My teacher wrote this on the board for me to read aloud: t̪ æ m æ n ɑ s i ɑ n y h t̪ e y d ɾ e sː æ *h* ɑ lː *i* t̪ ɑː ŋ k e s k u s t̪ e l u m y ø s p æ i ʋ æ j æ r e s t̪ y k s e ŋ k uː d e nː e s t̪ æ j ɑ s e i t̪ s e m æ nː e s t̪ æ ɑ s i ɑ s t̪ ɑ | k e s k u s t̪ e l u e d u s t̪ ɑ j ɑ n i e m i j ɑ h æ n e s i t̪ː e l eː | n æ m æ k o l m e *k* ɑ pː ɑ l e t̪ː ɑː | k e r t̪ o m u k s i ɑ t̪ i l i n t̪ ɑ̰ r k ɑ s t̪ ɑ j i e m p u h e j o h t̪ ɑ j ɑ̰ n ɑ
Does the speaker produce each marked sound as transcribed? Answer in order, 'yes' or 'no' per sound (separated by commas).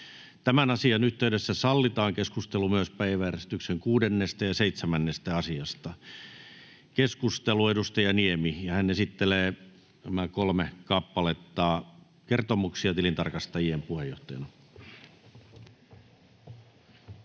no, yes, yes